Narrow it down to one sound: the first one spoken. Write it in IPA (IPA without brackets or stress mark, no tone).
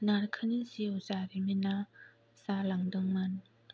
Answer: n